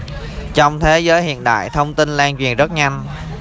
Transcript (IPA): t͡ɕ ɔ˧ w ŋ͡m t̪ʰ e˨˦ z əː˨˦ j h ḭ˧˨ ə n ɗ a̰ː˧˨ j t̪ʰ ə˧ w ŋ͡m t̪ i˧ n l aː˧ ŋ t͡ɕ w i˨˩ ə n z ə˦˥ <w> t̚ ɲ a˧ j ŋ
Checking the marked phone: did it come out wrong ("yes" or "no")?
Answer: yes